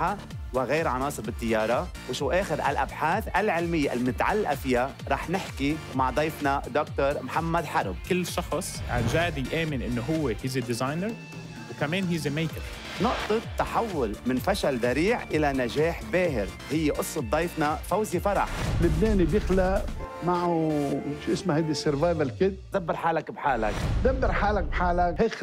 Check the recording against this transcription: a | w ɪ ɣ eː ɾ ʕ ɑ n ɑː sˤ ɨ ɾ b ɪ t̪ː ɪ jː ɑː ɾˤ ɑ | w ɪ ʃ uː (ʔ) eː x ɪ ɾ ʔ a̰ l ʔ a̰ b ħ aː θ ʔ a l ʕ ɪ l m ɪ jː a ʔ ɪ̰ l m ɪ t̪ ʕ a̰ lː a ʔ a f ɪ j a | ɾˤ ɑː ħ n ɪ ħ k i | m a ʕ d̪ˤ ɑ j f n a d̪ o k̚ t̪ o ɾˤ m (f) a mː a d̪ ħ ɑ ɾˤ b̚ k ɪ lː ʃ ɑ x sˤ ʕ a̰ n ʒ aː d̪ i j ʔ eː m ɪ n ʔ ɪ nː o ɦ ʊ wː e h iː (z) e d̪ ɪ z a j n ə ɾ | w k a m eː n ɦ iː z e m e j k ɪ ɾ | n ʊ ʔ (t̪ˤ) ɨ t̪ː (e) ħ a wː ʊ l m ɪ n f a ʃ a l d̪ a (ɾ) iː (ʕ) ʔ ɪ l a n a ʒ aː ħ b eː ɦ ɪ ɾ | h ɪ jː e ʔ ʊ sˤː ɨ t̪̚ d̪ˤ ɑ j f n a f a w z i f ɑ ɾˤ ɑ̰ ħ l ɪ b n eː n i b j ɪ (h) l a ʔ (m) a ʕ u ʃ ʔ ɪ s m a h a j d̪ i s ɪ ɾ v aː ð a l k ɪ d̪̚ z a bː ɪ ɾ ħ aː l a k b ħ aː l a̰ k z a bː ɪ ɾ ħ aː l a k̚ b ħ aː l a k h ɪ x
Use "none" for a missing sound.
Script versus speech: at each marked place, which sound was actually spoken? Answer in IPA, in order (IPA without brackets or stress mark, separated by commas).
ʔ, ħ, z, t̪ˤ, a, ɾ, ʕ, x, m